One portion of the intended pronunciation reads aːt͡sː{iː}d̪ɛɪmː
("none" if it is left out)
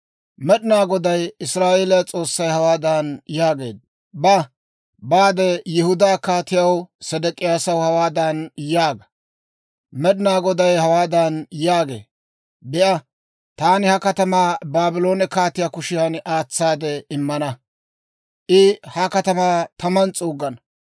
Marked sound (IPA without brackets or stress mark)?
aː